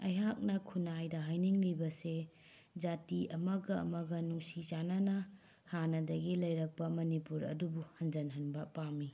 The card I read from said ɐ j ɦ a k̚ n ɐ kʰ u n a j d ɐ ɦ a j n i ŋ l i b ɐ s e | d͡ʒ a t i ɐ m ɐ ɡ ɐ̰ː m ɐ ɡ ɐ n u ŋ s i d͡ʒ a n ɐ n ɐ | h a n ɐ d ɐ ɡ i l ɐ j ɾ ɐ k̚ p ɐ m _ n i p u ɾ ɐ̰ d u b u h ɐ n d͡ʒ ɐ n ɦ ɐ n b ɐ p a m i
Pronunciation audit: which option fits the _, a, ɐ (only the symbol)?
ɐ